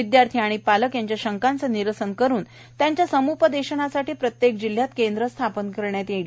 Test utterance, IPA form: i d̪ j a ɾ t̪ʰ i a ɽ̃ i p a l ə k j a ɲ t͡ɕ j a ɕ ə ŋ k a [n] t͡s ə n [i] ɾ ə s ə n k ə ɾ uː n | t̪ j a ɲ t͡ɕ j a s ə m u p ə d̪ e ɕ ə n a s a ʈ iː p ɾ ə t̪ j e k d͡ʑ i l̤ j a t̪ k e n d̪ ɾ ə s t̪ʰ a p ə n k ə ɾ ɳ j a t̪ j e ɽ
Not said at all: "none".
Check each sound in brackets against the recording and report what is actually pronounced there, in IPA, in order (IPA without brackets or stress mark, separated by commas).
n, i